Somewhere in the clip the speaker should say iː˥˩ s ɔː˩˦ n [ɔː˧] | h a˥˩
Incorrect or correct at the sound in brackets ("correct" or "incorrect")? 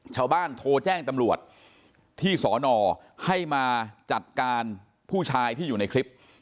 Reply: correct